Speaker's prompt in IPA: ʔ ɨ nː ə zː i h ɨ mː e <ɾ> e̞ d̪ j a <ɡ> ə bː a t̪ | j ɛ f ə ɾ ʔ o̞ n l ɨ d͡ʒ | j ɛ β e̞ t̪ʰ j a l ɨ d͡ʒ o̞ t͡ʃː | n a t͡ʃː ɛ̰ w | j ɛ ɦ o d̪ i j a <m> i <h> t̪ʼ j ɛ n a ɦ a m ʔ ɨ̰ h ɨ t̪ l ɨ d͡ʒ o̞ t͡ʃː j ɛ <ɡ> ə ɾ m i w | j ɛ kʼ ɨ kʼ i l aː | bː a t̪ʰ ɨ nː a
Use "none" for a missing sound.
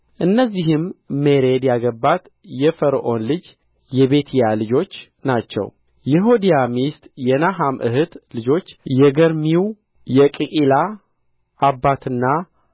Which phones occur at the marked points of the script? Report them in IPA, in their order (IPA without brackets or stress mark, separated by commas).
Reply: ɾ, ɡ, m, s, ɡ